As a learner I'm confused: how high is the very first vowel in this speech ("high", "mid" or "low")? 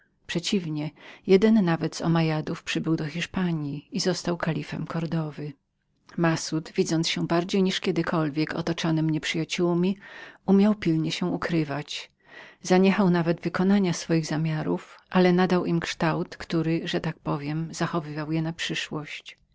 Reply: mid